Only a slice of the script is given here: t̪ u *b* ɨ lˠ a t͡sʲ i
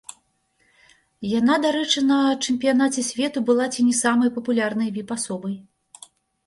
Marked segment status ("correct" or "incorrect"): correct